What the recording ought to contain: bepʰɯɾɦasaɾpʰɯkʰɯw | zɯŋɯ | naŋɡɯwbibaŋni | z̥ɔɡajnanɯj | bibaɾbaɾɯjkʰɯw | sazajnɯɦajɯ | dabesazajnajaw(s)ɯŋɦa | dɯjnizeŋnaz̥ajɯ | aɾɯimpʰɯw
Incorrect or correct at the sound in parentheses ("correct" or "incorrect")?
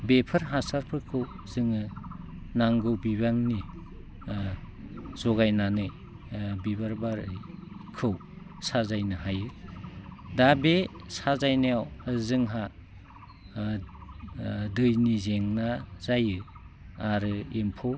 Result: incorrect